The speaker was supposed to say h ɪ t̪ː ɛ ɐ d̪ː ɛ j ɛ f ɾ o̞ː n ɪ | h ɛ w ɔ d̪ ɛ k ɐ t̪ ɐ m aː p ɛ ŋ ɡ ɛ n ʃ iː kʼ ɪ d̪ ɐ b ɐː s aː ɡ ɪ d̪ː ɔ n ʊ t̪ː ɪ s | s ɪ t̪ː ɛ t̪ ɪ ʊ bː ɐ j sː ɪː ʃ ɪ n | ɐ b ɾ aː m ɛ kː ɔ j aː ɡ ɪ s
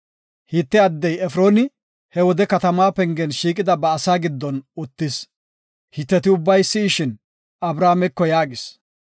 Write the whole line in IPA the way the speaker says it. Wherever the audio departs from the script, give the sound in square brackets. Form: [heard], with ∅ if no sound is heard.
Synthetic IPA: h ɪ t̪ː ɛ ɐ d̪ː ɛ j ɛ f ɾ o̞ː n ɪ | h ɛ w ɔ d̪ ɛ k ɐ t̪ ɐ m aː p ɛ ŋ ɡ ɛ n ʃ iː kʼ ɪ d̪ ɐ b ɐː s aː ɡ ɪ d̪ː ɔ n ʊ t̪ː ɪ s | [h] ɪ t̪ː ɛ t̪ ɪ ʊ bː ɐ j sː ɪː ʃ ɪ n | ɐ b ɾ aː m ɛ kː ɔ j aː ɡ ɪ s